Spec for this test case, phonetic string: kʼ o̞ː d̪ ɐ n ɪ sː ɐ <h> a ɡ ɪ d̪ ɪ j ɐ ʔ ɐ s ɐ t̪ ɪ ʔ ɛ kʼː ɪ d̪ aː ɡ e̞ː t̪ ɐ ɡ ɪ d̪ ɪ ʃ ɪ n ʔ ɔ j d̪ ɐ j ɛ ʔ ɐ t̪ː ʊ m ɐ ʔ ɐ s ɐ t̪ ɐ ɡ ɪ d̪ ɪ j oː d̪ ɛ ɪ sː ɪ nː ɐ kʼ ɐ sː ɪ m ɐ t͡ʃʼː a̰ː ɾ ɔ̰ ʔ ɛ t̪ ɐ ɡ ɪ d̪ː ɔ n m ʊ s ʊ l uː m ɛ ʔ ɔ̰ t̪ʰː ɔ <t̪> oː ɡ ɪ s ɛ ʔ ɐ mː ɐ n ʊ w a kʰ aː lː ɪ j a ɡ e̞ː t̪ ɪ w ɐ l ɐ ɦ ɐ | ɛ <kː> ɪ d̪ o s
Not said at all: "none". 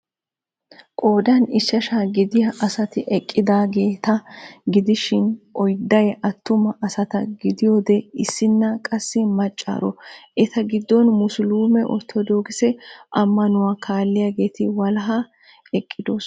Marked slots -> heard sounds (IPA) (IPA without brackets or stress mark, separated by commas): ʃ, d̪, kʼː